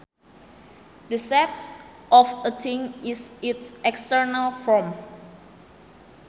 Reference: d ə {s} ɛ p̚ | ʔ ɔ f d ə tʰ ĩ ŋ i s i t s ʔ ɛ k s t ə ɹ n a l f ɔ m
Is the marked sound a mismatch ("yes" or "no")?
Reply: no